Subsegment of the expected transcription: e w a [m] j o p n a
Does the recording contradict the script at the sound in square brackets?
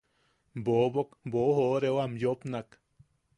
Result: no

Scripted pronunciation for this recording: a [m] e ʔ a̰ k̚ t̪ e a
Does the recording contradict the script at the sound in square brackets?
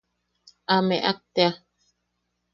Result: no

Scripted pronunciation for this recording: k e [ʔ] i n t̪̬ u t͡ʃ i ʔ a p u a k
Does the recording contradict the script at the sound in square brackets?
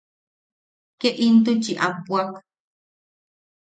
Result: no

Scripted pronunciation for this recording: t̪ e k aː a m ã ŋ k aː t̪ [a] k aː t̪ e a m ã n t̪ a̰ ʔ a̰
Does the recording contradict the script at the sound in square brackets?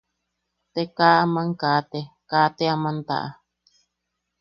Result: yes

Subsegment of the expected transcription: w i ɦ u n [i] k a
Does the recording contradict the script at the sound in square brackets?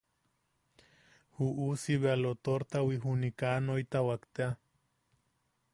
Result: no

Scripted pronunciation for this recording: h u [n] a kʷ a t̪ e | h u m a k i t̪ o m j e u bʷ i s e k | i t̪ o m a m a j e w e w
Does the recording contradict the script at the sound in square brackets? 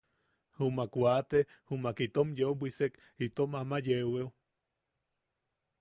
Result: yes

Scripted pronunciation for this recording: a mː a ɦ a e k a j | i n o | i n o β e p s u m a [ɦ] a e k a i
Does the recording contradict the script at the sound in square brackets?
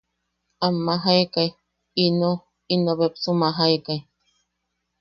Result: no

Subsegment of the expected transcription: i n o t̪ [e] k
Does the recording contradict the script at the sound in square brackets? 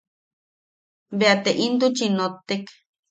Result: no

